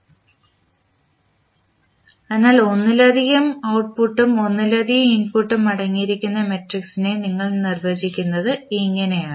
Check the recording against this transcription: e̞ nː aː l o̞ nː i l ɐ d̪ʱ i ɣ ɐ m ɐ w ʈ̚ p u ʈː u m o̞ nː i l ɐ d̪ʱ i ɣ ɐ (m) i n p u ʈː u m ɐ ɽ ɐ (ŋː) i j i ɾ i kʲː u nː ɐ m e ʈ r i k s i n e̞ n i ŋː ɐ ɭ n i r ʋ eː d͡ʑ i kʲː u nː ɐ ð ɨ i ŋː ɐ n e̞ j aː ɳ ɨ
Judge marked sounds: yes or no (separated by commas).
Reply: yes, yes